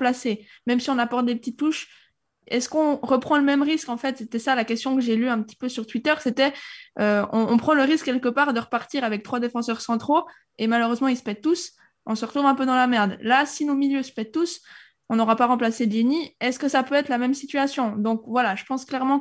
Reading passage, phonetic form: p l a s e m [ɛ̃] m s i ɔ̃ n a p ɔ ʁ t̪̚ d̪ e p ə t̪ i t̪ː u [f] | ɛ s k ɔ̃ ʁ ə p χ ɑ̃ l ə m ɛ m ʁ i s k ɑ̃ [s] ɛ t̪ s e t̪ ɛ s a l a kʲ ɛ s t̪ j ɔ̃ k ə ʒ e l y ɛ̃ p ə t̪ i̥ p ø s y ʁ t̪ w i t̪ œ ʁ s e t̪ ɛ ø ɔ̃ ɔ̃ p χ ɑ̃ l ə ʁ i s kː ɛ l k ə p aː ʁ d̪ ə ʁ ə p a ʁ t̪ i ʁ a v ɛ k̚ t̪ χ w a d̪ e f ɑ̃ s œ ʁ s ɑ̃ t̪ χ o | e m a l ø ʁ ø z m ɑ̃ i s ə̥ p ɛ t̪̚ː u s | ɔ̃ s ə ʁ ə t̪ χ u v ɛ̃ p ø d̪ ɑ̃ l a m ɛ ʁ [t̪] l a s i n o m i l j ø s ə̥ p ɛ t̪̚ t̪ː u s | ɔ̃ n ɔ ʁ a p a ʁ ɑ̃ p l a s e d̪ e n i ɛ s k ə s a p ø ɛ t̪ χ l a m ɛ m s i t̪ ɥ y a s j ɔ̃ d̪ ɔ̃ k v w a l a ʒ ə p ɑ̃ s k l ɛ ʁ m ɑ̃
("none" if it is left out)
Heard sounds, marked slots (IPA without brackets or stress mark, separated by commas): ɛ, ʃ, f, d̪